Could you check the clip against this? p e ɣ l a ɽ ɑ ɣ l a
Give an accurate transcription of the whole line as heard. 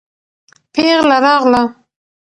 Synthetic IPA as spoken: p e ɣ l a ɾ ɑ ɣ l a